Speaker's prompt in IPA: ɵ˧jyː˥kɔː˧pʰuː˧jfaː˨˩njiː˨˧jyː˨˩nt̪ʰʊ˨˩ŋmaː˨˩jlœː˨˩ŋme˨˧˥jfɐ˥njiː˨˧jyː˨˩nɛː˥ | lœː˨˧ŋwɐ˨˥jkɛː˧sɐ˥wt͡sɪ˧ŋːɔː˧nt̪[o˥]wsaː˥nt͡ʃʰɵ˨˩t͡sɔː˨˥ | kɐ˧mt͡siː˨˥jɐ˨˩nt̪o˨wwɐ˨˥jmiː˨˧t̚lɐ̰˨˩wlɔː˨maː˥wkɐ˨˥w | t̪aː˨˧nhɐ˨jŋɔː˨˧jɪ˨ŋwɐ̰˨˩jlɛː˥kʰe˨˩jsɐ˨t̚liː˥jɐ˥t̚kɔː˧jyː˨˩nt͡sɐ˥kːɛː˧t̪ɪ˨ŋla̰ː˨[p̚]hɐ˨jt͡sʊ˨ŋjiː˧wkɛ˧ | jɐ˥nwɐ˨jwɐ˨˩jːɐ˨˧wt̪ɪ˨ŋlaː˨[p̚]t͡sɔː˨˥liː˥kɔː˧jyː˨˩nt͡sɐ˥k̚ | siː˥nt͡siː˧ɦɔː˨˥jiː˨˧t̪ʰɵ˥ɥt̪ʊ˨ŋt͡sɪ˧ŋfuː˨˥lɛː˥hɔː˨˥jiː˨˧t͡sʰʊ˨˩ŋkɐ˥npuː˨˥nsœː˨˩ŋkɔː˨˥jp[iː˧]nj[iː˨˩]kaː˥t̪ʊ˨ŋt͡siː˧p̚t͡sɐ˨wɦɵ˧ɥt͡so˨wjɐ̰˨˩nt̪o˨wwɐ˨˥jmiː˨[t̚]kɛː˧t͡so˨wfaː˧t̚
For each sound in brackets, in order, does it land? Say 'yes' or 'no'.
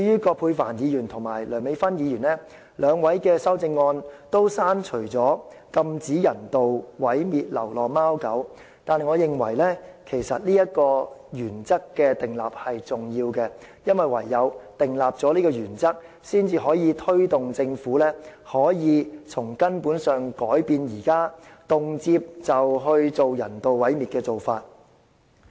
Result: yes, yes, yes, yes, yes, yes

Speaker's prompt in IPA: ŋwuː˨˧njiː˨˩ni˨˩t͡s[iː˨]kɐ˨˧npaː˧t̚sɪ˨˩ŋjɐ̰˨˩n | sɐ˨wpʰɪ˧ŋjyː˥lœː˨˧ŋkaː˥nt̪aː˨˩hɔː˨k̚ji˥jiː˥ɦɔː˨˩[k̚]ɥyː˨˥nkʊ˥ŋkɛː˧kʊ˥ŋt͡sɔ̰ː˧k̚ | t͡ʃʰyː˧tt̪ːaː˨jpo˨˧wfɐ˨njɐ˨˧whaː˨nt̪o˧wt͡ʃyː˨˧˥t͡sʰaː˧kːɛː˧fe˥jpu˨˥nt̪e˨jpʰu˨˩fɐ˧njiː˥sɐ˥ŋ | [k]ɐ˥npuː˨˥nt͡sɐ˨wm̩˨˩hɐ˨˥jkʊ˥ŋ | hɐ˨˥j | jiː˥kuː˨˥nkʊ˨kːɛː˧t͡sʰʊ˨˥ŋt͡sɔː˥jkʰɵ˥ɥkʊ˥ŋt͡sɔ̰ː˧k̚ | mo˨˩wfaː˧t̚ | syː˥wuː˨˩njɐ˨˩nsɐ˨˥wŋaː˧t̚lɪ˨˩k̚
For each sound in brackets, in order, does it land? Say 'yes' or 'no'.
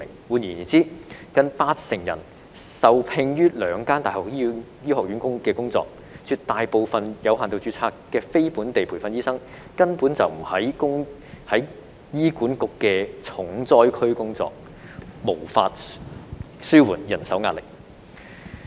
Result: no, yes, yes

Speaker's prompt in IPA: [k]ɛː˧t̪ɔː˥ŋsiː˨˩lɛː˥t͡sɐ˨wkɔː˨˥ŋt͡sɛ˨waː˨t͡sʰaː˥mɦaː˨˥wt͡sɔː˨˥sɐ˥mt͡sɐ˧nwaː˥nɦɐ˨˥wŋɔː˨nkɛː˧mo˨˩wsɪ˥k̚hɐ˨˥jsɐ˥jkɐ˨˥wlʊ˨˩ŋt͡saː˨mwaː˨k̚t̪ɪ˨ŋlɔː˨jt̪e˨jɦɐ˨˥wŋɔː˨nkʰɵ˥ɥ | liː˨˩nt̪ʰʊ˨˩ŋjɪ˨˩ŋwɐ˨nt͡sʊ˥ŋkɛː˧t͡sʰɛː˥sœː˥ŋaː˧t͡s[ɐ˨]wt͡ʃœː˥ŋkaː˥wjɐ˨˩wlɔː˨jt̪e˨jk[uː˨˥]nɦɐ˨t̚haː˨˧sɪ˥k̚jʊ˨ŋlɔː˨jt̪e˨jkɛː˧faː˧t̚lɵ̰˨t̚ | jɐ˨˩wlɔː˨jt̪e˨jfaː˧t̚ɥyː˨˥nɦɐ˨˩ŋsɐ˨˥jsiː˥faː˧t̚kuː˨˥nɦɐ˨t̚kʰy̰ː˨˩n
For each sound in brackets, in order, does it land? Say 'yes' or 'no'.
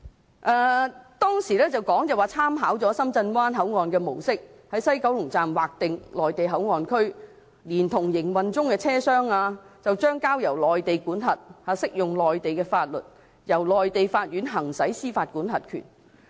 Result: no, yes, yes

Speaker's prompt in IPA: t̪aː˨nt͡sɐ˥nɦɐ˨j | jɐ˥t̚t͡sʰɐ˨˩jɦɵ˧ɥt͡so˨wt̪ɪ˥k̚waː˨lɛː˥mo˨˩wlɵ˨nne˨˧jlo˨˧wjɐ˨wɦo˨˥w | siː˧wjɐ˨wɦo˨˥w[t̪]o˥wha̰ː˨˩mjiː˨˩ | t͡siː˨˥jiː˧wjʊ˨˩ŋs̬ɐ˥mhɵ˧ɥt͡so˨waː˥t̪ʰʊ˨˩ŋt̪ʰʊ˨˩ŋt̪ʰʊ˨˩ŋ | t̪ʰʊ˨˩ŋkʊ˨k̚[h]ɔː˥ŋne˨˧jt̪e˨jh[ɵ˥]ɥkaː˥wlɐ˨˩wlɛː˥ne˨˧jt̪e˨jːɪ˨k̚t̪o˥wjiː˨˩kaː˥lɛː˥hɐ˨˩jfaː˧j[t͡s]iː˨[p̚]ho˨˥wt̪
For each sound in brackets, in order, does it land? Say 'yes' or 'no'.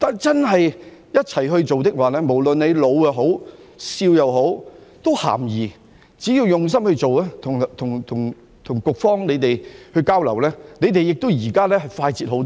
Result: yes, no, no, yes, no

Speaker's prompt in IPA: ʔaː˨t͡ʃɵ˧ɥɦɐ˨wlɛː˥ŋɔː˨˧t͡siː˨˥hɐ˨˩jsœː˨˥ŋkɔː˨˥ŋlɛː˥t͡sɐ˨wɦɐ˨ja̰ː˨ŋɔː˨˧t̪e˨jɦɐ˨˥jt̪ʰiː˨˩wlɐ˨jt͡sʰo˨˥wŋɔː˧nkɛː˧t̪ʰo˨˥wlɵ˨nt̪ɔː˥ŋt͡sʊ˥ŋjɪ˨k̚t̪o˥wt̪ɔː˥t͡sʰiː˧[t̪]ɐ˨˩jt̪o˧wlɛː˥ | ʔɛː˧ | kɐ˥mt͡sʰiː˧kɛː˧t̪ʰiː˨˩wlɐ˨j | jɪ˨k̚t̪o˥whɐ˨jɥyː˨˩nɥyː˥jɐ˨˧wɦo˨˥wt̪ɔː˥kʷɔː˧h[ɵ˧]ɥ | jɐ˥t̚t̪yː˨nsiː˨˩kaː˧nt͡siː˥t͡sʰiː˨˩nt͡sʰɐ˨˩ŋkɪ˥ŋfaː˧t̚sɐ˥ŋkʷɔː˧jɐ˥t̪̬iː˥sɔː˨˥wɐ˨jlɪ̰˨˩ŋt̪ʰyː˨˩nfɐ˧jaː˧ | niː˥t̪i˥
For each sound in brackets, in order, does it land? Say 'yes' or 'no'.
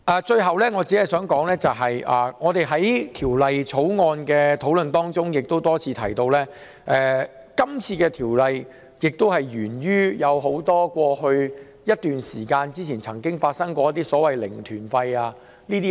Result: no, yes

